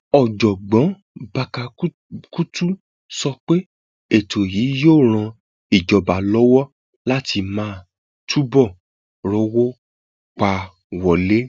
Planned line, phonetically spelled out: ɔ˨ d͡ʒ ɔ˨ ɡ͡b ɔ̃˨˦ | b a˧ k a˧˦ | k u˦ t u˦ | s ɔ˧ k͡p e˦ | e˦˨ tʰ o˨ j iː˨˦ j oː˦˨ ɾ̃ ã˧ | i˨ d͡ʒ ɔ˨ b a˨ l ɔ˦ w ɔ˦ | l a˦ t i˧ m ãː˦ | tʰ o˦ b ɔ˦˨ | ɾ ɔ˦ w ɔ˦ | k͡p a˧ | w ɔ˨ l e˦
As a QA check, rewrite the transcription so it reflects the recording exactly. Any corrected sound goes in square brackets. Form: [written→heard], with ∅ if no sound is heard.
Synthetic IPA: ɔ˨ d͡ʒ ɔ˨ ɡ͡b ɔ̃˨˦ | b a˧ k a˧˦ | k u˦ t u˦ | s ɔ˧ k͡p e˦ | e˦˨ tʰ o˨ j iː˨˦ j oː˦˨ ɾ̃ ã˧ | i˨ d͡ʒ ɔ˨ b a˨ l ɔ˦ w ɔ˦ | l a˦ t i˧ m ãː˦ | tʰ [o˦→u˦] b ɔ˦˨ | ɾ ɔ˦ w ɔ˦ | k͡p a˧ | w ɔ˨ l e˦